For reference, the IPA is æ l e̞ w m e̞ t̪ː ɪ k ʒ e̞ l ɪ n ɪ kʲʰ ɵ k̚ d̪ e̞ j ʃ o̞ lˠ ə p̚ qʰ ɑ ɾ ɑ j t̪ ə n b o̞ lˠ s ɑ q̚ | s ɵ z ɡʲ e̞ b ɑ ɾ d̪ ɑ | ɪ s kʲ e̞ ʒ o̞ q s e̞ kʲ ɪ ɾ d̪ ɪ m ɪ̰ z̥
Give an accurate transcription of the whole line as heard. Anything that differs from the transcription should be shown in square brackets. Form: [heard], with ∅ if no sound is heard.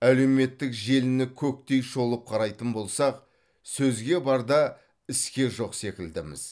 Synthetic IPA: æ l e̞ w m e̞ t̪ː ɪ k ʒ e̞ l ɪ n ɪ kʲʰ ɵ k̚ [t̪] e̞ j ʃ o̞ lˠ ə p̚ qʰ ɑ ɾ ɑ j t̪ ə n b o̞ lˠ s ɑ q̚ | s ɵ z ɡʲ e̞ b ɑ ɾ d̪ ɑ | ɪ s kʲ e̞ ʒ o̞ q s e̞ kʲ ɪ [l] d̪ ɪ m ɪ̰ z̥

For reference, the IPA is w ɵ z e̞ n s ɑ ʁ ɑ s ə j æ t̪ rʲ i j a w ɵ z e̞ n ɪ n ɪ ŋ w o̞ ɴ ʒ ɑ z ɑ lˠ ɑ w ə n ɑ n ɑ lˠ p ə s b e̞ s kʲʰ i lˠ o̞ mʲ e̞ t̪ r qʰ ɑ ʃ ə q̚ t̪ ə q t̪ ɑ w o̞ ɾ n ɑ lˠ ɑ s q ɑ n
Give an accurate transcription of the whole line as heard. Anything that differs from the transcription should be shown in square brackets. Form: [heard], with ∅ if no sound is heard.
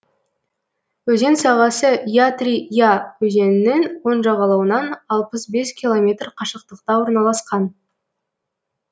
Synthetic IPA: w ɵ z e̞ n s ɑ ʁ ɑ s ə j [a] t̪ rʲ i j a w ɵ z e̞ n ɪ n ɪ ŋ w o̞ [n] ʒ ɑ [ʁ] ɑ lˠ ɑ w ə n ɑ n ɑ lˠ p ə s b e̞ s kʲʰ i lˠ o̞ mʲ e̞ t̪ r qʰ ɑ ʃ ə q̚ t̪ ə q t̪ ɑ w o̞ ɾ n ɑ lˠ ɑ s q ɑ n

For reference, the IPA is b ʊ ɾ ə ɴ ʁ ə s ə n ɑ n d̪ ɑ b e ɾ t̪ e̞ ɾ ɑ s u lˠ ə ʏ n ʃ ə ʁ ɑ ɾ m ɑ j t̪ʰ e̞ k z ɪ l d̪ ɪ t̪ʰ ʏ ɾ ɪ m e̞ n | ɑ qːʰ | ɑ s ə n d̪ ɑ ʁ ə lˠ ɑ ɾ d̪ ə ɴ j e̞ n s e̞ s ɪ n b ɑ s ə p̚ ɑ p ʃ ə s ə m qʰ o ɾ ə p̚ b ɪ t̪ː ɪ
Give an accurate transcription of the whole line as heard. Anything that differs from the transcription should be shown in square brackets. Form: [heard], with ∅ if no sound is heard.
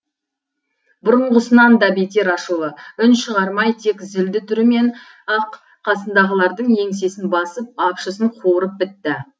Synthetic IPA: b ʊ ɾ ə ɴ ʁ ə s ə n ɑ n d̪ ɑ b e [∅] t̪ e̞ ɾ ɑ [ʃ] u lˠ ə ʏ n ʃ ə ʁ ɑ ɾ m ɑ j t̪ʰ e̞ k z ɪ l d̪ ɪ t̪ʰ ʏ ɾ ɪ m e̞ n | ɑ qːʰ | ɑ s ə n d̪ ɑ ʁ ə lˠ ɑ ɾ d̪ ə ɴ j e̞ [ŋ] s e̞ s ɪ n b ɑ s ə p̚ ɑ p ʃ ə s ə [ɴ] qʰ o ɾ ə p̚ b ɪ t̪ː ɪ

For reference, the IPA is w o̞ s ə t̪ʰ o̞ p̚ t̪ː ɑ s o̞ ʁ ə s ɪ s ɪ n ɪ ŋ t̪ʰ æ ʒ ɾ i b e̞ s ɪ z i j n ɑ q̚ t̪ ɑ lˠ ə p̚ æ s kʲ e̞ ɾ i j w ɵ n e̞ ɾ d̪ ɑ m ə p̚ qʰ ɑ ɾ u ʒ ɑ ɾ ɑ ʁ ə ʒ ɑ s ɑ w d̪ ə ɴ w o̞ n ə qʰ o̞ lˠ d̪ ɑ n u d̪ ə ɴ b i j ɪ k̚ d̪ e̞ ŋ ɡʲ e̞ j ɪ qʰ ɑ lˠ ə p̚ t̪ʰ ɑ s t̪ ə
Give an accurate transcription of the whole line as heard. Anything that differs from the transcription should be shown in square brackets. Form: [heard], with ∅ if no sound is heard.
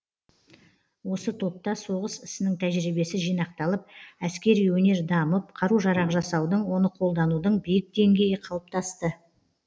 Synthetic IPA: w o̞ s ə t̪ʰ o̞ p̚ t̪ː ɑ s o̞ ʁ ə s ɪ s ɪ n ɪ ŋ t̪ʰ æ ʒ ɾ i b e̞ s ɪ [ʒ] i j n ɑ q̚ t̪ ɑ lˠ ə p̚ æ s kʲ e̞ ɾ i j w ɵ n e̞ ɾ d̪ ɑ m ə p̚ qʰ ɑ ɾ u ʒ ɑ ɾ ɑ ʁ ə ʒ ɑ s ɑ w d̪ ə ɴ w o̞ n ə qʰ o̞ lˠ d̪ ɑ n u d̪ ə ɴ b i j ɪ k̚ d̪ e̞ ŋ ɡʲ e̞ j ɪ qʰ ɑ lˠ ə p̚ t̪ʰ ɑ s t̪ ə

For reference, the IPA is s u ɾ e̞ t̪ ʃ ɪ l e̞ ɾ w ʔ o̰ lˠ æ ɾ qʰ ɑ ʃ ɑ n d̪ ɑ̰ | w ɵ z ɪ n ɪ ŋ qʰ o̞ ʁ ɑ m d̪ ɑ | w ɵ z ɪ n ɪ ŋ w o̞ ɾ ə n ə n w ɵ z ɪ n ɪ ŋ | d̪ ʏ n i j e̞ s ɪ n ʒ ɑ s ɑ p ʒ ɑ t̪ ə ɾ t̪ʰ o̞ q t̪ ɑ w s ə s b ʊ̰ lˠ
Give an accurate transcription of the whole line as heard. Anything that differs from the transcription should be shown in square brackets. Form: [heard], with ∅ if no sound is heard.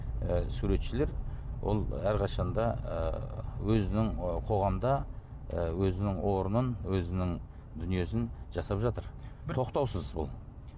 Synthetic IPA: s u ɾ e̞ t̪ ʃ ɪ l e̞ ɾ w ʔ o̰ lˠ æ ɾ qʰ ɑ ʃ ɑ n d̪ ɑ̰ | w ɵ z ɪ n ɪ ŋ qʰ o̞ ʁ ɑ m d̪ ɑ | w ɵ z ɪ n ɪ ŋ w o̞ ɾ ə n ə n w ɵ z ɪ n ɪ ŋ | d̪ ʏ n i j e̞ s ɪ n ʒ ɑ s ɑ p ʒ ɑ t̪ ə ɾ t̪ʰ o̞ q t̪ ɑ w s ə [z] b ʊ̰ lˠ

